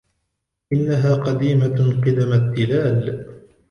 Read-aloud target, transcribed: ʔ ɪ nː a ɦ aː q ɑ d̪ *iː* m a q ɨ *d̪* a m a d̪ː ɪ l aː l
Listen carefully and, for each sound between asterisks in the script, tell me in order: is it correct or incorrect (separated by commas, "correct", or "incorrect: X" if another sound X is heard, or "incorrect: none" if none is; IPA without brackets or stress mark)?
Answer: correct, correct